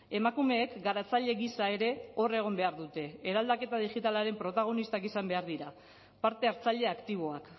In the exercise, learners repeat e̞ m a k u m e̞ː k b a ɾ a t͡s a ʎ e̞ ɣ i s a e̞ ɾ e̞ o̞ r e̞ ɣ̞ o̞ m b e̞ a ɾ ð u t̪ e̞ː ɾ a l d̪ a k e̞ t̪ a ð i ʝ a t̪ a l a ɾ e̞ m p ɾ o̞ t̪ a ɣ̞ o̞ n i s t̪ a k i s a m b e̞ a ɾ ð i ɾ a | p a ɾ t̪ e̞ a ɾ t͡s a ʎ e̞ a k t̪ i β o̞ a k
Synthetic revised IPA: e̞ m a k u m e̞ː k ɡ a ɾ a t͡s a ʎ e̞ ɣ i s a e̞ ɾ e̞ o̞ r e̞ ɣ̞ o̞ m b e̞ a ɾ ð u t̪ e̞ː ɾ a l d̪ a k e̞ t̪ a ð i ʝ i t̪ a l a ɾ e̞ m p ɾ o̞ t̪ a ɣ̞ o̞ n i s t̪ a k i s a m b e̞ a ɾ ð i ɾ a | p a ɾ t̪ e̞ a ɾ t͡s a ʎ e̞ a k t̪ i β o̞ a k